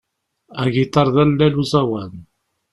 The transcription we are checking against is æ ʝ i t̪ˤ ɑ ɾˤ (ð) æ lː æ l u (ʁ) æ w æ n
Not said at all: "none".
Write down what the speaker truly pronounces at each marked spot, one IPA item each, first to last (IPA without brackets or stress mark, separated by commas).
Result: ð, z